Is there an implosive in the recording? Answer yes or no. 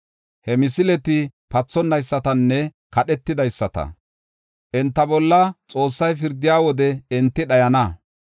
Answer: yes